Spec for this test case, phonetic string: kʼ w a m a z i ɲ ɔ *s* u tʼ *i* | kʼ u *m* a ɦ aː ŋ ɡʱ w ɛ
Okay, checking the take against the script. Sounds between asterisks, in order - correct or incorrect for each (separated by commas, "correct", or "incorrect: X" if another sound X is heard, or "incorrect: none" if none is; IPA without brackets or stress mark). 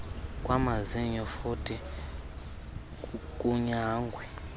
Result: incorrect: f, correct, incorrect: ɲ